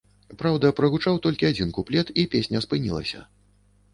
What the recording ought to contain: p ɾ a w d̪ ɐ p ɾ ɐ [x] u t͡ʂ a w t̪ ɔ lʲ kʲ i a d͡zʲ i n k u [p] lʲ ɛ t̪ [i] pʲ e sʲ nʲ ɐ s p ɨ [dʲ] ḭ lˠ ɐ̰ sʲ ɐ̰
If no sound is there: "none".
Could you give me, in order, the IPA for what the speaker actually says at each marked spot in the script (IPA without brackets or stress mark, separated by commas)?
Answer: ɣ, p, i, nʲ